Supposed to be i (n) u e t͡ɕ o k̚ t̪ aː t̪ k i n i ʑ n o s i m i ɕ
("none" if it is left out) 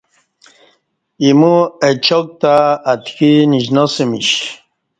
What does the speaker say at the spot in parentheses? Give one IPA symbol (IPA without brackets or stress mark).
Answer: m